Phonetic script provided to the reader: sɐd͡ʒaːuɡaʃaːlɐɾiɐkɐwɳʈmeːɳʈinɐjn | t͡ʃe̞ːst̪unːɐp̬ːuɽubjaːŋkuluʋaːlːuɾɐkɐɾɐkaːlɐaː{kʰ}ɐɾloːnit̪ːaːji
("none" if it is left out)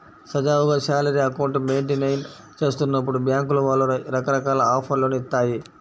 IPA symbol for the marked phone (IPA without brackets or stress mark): pʰ